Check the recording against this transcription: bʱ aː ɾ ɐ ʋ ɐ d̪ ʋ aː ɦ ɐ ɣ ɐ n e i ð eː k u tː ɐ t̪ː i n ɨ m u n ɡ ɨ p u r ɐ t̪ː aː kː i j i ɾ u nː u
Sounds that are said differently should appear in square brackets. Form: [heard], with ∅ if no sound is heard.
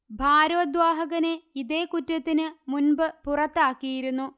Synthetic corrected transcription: bʱ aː ɾ ɐ ʋ ɐ d̪ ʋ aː ɦ ɐ ɣ ɐ n e i ð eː k u tː ɐ t̪ː i n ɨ m u n [b] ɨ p u r ɐ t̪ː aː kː i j i ɾ u nː u